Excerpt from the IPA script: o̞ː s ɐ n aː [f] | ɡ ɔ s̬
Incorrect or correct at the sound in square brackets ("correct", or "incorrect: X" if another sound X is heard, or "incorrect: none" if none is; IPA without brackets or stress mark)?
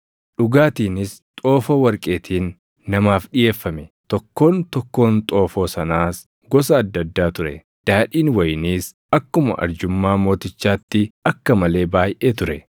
incorrect: s